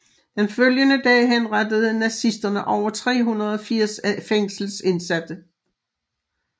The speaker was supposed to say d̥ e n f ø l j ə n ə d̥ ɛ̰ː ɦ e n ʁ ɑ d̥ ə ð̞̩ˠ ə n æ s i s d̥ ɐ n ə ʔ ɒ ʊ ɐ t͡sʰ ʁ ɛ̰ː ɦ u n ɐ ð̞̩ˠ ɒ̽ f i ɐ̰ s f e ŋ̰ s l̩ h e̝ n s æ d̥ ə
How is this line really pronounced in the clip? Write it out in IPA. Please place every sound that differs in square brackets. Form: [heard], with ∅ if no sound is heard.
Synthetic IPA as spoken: d̥ e n f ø l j ə n ə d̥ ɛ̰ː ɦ e n ʁ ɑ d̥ ə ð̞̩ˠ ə n æ s i s d̥ ɐ n ə ʔ ɒ ʊ ɐ t͡sʰ ʁ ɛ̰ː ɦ u n ɐ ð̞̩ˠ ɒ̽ f i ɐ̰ s f e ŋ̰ s l̩ [s] e̝ n s æ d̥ ə